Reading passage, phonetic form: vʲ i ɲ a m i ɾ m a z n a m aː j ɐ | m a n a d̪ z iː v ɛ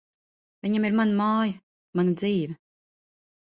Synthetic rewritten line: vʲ i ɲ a m i ɾ m a n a m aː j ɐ | m a n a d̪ z iː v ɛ